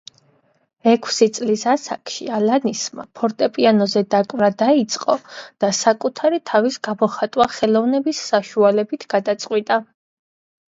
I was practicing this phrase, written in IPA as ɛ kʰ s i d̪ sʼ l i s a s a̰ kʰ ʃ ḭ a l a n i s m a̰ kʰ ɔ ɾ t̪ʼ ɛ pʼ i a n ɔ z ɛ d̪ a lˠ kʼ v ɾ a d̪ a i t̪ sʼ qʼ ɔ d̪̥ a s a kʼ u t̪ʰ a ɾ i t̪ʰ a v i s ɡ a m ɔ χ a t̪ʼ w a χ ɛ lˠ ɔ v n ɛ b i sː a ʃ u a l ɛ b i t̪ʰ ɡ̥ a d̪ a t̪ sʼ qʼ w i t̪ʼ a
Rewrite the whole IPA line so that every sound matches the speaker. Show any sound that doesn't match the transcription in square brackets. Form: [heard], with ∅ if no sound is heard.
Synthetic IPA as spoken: ɛ kʰ s i [t̪] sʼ l i s a s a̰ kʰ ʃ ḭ a l a n i s m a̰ [pʰ] ɔ ɾ t̪ʼ ɛ pʼ i a n ɔ z ɛ d̪ a [∅] kʼ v ɾ a d̪ a i t̪ sʼ qʼ ɔ d̪̥ a s a kʼ u t̪ʰ a ɾ i t̪ʰ a v i s ɡ a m ɔ χ a t̪ʼ w a χ ɛ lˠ ɔ v n ɛ b i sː a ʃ u a l ɛ b i t̪ʰ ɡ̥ a d̪ a t̪ sʼ qʼ w i t̪ʼ a

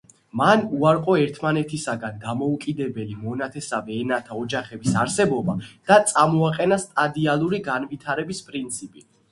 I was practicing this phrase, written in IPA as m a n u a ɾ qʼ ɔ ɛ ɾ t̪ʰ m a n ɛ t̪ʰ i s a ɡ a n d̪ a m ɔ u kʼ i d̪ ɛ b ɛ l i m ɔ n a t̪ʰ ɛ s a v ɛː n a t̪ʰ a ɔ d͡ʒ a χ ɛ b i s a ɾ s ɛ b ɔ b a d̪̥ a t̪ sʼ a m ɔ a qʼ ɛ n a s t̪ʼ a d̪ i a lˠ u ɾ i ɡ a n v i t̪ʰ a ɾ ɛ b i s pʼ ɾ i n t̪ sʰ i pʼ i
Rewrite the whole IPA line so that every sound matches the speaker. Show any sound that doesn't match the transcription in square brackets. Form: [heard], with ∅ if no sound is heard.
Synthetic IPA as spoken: m a n u a ɾ qʼ ɔ ɛ ɾ t̪ʰ m a n ɛ t̪ʰ i s a ɡ a n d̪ a m ɔ u kʼ i d̪ ɛ b ɛ l i m ɔ n a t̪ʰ ɛ s a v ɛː n a t̪ʰ a ɔ d͡ʒ a χ ɛ b i s a ɾ s ɛ b ɔ b a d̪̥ a t̪ sʼ a m ɔ a qʼ ɛ n a s t̪ʼ a d̪ i a lˠ u ɾ i ɡ a n v i t̪ʰ a ɾ ɛ b i s pʼ ɾ i n t̪ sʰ i pʼ i

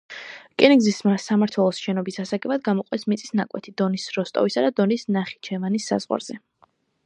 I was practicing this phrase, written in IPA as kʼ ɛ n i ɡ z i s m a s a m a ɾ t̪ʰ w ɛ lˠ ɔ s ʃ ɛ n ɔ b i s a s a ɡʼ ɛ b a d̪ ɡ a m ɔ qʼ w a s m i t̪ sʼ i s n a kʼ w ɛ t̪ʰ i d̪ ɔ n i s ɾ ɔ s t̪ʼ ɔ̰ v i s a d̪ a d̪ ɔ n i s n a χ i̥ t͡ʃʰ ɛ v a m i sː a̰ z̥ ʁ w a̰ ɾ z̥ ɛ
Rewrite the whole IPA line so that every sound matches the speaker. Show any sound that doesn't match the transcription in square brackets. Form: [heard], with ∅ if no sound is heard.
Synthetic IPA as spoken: kʼ ɛ n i ɡ z i s m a s a m a ɾ t̪ʰ w ɛ lˠ ɔ s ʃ ɛ n ɔ b i s a s a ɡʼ ɛ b a d̪ ɡ a m ɔ qʼ w [ɛ] s m i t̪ sʼ i s n a kʼ w ɛ t̪ʰ i d̪ ɔ n i s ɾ ɔ s t̪ʼ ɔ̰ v i s a d̪ a d̪ ɔ n i s n a χ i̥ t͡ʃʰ ɛ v a [n] i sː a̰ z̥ ʁ w a̰ ɾ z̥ ɛ

